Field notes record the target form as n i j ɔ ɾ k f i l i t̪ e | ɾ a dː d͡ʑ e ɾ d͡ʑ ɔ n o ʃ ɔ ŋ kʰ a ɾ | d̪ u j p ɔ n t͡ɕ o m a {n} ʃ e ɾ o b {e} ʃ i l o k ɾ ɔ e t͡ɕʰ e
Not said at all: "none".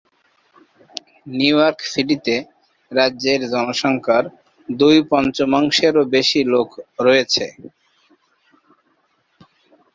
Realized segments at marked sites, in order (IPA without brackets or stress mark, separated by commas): ŋ, e